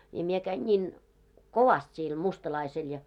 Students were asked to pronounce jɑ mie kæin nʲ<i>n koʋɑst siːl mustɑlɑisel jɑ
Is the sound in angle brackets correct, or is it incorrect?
incorrect